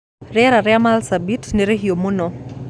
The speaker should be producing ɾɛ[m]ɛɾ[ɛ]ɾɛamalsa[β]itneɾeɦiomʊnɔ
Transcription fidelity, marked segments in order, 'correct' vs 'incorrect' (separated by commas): incorrect, incorrect, incorrect